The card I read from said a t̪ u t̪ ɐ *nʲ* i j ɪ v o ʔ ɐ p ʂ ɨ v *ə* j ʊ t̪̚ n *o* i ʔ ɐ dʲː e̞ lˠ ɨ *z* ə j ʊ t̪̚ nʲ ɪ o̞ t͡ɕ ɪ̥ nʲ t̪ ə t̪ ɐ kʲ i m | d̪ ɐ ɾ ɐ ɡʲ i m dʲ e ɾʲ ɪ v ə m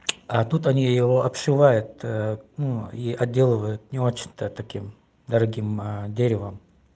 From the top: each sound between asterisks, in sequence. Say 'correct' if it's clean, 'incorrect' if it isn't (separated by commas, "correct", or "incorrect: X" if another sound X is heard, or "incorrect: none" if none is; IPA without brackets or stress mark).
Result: correct, incorrect: a, incorrect: u, incorrect: v